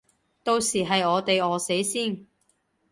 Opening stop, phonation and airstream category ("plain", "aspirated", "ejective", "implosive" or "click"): plain